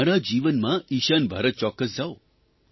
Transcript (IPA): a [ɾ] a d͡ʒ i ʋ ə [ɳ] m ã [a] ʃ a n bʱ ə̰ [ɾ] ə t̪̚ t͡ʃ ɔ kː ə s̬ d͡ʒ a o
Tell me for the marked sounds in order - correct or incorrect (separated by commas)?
correct, incorrect, incorrect, correct